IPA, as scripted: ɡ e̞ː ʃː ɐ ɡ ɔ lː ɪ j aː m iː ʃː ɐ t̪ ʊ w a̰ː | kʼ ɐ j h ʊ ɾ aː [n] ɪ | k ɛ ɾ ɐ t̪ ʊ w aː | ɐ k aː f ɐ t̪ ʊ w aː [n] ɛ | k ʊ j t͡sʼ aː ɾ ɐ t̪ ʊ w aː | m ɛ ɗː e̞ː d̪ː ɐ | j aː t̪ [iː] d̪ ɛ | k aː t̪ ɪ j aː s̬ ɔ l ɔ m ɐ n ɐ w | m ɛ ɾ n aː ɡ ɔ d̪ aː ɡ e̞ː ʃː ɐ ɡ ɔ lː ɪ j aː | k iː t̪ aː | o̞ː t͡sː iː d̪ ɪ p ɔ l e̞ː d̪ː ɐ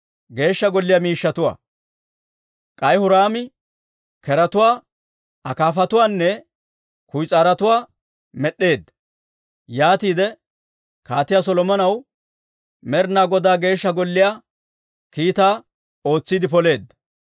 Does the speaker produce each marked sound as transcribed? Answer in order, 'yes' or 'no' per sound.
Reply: no, no, yes

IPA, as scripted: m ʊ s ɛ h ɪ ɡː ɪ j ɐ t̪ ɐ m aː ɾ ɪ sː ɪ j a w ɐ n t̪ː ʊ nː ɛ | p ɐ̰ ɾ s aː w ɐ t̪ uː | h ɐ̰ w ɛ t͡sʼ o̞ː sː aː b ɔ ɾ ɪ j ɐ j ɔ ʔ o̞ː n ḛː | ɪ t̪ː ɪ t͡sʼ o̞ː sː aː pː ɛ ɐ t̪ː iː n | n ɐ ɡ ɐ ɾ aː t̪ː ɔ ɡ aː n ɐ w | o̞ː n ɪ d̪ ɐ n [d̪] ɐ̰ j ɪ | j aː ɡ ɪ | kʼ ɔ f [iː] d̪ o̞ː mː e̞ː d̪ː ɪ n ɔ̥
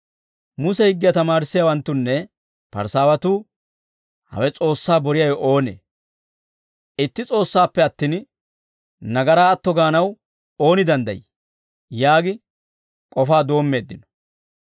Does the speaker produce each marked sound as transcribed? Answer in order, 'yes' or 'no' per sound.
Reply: yes, no

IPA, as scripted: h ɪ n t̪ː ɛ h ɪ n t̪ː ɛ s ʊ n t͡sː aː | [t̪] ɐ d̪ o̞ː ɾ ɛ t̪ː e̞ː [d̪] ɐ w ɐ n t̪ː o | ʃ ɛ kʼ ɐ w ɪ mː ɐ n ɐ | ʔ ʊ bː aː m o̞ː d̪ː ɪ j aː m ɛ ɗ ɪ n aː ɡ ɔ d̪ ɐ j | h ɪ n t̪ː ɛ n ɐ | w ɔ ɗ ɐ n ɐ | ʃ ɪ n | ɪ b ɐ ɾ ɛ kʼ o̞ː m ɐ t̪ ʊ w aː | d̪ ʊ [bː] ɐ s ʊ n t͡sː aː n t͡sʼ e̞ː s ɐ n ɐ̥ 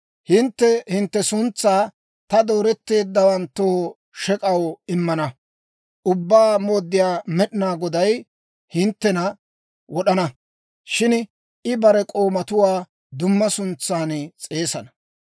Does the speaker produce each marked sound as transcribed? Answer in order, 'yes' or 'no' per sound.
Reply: yes, no, no

